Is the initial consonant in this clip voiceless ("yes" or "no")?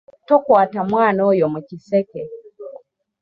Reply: yes